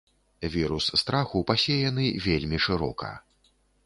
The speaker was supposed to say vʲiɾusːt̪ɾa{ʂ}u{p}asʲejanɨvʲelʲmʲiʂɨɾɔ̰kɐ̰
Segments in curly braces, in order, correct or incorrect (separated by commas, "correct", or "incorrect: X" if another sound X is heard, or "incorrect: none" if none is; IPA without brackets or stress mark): incorrect: x, correct